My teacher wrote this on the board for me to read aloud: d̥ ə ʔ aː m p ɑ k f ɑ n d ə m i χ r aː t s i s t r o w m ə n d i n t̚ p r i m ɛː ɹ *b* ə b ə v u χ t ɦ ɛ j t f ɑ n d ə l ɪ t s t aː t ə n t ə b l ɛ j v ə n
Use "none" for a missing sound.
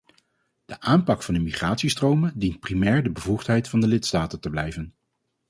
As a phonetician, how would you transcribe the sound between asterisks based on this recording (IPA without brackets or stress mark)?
d